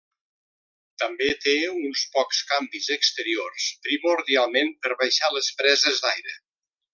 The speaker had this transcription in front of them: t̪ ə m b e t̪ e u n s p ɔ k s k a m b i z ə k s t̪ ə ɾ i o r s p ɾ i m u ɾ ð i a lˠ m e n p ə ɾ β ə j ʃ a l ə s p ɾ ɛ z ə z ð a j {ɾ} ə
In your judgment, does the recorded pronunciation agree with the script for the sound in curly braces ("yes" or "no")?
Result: yes